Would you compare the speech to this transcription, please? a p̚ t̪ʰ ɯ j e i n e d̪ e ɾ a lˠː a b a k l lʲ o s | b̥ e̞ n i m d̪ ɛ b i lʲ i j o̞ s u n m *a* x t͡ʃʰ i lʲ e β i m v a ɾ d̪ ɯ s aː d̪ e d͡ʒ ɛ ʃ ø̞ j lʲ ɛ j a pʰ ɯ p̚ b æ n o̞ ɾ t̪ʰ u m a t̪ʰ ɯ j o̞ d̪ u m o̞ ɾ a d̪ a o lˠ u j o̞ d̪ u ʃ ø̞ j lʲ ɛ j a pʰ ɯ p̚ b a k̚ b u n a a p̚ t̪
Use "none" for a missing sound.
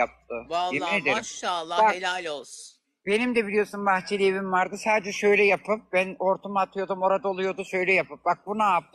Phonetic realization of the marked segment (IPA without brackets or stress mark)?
a